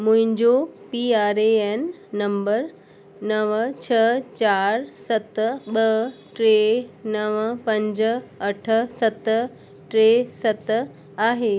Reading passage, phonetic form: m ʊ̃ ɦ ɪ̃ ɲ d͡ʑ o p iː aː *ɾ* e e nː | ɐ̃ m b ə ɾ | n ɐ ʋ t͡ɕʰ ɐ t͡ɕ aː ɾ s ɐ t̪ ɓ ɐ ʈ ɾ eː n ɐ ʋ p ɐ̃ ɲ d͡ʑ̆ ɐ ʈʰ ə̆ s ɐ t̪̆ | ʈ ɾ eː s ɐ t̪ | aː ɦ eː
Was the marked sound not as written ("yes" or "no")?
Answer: no